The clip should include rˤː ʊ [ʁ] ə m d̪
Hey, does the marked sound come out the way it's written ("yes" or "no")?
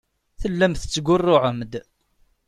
no